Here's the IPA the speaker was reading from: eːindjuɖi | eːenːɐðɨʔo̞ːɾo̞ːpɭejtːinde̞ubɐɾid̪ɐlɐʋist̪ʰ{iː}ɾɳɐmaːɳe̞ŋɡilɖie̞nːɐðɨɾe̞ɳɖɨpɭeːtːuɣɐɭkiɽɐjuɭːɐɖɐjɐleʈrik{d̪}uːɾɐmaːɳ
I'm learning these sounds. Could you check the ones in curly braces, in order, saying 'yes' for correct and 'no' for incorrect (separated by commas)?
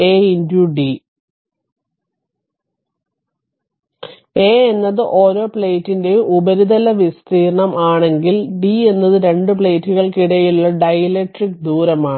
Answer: yes, yes